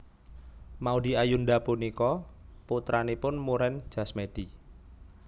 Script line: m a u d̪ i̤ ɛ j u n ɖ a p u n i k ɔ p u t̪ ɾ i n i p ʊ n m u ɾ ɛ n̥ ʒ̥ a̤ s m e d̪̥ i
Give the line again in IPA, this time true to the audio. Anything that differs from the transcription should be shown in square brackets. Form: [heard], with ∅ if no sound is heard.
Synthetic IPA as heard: m a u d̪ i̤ [a] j u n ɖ a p u n i k ɔ p u t̪ ɾ [a] n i p ʊ n m u ɾ ɛ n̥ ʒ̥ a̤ s m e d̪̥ i